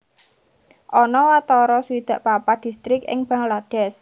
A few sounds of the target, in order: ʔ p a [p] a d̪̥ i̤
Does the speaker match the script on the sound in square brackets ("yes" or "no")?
yes